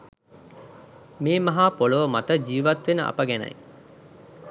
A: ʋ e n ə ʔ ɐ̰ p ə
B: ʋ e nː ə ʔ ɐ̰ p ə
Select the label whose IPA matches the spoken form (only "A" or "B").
A